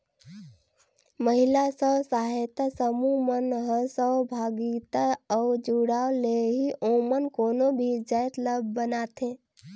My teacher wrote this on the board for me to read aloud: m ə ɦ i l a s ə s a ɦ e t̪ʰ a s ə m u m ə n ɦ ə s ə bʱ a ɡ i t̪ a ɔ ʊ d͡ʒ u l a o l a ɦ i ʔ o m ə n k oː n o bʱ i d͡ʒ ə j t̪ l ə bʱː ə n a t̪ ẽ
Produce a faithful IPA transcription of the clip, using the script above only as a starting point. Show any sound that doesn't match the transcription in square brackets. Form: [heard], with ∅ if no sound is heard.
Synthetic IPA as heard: m ə ɦ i l a s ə s a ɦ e [t̪] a s ə m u m ə n ɦ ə s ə bʱ a ɡ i t̪ a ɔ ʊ d͡ʒ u [ɽ] a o l [e] ɦ i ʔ o m ə n k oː n o bʱ i d͡ʒ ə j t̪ l ə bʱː ə n a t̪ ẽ